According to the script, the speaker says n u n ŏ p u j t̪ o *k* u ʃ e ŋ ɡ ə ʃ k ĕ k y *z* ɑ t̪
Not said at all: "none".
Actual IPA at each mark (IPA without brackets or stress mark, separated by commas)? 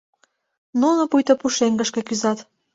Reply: p, z